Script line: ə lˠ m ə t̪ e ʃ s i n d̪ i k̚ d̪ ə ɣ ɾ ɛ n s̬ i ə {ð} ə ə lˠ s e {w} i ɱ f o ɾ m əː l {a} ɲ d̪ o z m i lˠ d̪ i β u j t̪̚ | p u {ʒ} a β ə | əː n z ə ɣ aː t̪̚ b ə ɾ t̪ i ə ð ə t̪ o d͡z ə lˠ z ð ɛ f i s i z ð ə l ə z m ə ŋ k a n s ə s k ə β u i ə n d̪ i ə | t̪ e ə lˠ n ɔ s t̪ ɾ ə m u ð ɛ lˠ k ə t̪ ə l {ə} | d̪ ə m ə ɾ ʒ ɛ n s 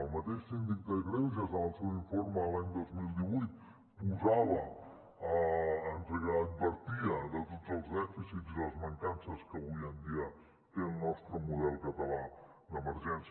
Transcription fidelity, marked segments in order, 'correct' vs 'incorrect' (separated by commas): incorrect, correct, correct, incorrect, incorrect